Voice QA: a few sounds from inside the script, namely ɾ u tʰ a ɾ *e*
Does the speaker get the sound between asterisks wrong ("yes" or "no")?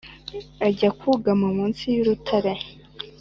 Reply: no